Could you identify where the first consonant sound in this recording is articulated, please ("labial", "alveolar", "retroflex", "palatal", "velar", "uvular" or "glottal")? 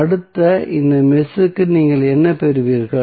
retroflex